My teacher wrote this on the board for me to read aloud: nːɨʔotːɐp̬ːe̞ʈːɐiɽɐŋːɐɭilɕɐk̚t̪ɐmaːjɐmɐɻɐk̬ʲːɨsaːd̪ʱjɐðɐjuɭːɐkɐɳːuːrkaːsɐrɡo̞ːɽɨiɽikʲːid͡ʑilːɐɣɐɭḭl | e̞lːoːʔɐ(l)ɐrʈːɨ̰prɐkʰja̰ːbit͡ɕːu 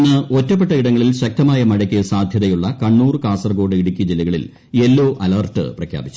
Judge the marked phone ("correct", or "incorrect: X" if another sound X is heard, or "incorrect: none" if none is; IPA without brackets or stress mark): correct